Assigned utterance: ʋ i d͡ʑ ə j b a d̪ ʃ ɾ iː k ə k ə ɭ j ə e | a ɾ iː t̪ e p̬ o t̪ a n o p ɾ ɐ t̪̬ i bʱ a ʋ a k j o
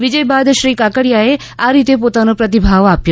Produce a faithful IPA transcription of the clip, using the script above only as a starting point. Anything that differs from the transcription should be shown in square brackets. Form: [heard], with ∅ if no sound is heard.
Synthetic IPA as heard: ʋ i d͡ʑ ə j b a d̪ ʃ ɾ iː k [a] k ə [ɽ] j [a] e | a ɾ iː t̪ e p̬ o t̪ a n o p ɾ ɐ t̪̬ i bʱ a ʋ a [p] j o

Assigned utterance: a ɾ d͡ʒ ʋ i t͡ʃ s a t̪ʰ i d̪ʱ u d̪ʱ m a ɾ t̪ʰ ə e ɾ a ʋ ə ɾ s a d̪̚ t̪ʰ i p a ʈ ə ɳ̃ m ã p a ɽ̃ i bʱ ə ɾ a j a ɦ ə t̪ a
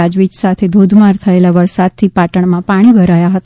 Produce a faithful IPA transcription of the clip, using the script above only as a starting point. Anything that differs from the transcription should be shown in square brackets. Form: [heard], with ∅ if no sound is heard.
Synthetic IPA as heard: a [∅] d͡ʒ ʋ i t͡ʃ s a t̪ʰ [e] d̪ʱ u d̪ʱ m a ɾ t̪ʰ ə e [l] a ʋ ə ɾ s a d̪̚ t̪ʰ i p a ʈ ə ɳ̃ m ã p a ɽ̃ i bʱ ə ɾ a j a ɦ ə t̪ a

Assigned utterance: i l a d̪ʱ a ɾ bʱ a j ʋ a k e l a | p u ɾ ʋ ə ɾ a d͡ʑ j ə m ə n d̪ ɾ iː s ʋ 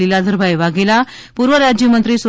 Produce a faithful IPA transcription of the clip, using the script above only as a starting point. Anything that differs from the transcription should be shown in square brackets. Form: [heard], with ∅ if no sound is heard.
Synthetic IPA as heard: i l a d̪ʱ [ə] ɾ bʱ a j ʋ a [ɡ] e l a | p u ɾ ʋ ə ɾ a d͡ʑ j ə m ə n [t̪] ɾ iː s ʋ

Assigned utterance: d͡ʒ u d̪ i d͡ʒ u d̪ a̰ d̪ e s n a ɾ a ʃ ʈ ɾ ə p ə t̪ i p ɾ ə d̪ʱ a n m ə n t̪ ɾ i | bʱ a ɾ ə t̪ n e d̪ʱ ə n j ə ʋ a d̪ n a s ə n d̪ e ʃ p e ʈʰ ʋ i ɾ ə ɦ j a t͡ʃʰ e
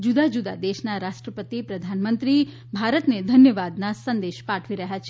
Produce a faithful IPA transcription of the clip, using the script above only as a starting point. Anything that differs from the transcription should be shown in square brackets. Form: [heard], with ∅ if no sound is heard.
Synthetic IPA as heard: d͡ʒ u d̪ [a] d͡ʒ u d̪ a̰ d̪ e [ʃ] n a ɾ a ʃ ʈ ɾ ə p ə t̪ i p ɾ ə d̪ʱ a n m ə n t̪ ɾ i | bʱ a ɾ ə t̪ n e d̪ʱ ə n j ə ʋ a d̪ n a s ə n d̪ e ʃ p [a] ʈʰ ʋ i ɾ ə ɦ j a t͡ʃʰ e

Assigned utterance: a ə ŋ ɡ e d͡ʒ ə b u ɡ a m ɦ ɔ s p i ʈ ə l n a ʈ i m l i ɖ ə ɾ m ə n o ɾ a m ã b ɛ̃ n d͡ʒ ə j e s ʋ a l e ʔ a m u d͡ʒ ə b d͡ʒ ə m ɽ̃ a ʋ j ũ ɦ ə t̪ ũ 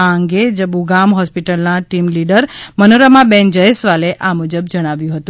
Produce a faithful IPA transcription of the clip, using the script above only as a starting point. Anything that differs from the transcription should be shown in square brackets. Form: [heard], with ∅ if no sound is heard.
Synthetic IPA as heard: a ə ŋ ɡ e d͡ʒ ə b u ɡ a m ɦ ɔ s p i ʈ ə l n a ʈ i m l i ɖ ə ɾ m ə n o ɾ a m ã b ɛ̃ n d͡ʒ ə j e s ʋ a l e ʔ a m u d͡ʒ ə b d͡ʒ ə [∅] ɽ̃ a ʋ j ũ ɦ ə t̪ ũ

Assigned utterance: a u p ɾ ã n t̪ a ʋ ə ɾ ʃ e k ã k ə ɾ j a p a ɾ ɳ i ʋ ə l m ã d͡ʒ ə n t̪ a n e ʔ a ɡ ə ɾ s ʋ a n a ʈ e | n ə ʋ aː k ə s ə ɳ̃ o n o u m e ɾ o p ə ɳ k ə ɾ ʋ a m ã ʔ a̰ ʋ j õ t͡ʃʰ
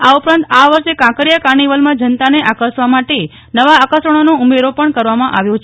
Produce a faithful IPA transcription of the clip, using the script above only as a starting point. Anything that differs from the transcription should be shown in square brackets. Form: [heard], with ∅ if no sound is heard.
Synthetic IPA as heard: a u p ɾ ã n t̪ a ʋ ə ɾ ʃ e k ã k ə ɾ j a [k] a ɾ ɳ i ʋ ə l m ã d͡ʒ ə n t̪ a n e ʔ a [k] ə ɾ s ʋ a [m] a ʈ e | n ə ʋ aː k ə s ə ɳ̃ o n o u m e ɾ o p ə ɳ k ə ɾ ʋ a m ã ʔ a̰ ʋ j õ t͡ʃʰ

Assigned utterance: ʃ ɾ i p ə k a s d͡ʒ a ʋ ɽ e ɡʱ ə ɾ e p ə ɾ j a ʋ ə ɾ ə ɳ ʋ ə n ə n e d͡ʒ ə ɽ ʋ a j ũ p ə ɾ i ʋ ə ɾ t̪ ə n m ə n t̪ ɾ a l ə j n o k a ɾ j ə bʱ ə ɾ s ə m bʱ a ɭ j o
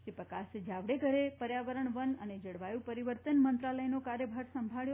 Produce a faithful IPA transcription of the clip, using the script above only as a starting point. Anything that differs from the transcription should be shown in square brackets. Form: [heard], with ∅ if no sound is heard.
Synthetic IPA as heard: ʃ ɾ i p ə k a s d͡ʒ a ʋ ɽ e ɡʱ ə ɾ e p ə ɾ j a ʋ ə ɾ ə ɳ ʋ ə n ə n e d͡ʒ ə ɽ ʋ a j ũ p ə ɾ i ʋ ə ɾ t̪ ə n m ə n t̪ ɾ a l ə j n o k a ɾ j ə bʱ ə ɾ s ə m bʱ a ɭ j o

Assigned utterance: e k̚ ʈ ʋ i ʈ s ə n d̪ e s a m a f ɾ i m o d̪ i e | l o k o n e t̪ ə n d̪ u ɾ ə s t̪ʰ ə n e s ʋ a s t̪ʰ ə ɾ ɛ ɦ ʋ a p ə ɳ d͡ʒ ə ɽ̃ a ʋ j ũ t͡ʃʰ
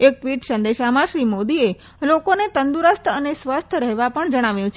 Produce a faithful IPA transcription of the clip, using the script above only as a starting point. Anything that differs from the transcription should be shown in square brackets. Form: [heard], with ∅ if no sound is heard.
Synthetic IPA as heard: e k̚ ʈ ʋ i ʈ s ə n d̪ e [ʃ] a m a [ʃ] ɾ i m o d̪ i e | l o k o n e t̪ ə n d̪ u ɾ ə s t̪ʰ ə n e s ʋ a s t̪ʰ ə ɾ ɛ ɦ ʋ a p ə ɳ d͡ʒ ə ɽ̃ a ʋ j ũ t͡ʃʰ

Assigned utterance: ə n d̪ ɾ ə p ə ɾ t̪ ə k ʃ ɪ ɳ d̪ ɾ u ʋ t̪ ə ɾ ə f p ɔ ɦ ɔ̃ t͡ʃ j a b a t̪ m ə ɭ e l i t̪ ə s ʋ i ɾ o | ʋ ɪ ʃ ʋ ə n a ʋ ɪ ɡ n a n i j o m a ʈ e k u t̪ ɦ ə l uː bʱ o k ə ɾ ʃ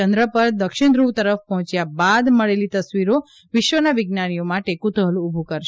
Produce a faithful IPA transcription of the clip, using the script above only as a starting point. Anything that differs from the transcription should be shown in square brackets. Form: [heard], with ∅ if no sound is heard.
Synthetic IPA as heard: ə n d̪ ɾ ə p ə ɾ [d̪] ə k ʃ ɪ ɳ d̪ ɾ u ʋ t̪ ə ɾ ə f p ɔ ɦ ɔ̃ t͡ʃ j a b a [d̪] m ə ɭ e l i t̪ ə s ʋ i ɾ o | ʋ ɪ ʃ ʋ ə n a ʋ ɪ ɡ n a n i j o m a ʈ e k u t̪ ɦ ə l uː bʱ [u] k ə ɾ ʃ

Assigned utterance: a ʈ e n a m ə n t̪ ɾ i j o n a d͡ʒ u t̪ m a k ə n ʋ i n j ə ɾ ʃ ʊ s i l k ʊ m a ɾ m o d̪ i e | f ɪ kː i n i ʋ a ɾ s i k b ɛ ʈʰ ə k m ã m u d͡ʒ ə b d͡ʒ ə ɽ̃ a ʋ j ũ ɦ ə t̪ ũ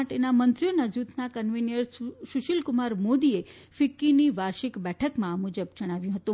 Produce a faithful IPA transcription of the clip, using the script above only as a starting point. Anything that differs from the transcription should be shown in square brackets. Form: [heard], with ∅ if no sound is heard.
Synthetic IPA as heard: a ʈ e n a m ə n t̪ ɾ i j o n a d͡ʒ u t̪ [n] a k ə n ʋ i n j ə ɾ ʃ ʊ [ʃ] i l k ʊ m a ɾ m o d̪ i e | f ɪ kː i n i ʋ a ɾ [ʃ] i k b ɛ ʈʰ ə k m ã m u d͡ʒ ə b d͡ʒ ə ɽ̃ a ʋ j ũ ɦ ə t̪ ũ

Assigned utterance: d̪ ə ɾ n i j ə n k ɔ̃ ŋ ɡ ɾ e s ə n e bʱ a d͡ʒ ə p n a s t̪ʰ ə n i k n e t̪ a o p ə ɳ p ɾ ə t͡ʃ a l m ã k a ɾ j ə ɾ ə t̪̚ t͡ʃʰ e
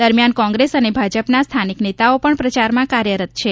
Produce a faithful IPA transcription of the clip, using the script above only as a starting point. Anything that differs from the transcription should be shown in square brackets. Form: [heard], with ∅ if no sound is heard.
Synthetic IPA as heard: d̪ ə ɾ [m] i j [a] n k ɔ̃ ŋ ɡ ɾ e s ə n e bʱ a d͡ʒ ə p n a s t̪ʰ [a] n i k n e t̪ a o p ə ɳ p ɾ ə t͡ʃ a [ɾ] m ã k a ɾ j ə ɾ ə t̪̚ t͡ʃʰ e

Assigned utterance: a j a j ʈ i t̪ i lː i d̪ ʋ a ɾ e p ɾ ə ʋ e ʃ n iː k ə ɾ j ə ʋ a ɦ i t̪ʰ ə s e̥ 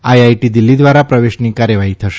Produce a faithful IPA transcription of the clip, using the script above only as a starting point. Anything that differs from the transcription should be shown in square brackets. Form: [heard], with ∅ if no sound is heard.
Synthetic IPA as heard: a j a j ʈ i [d̪] i lː i d̪ ʋ a ɾ [a] p ɾ ə ʋ e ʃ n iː k [a] ɾ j ə ʋ a ɦ i t̪ʰ ə [ʃ] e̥

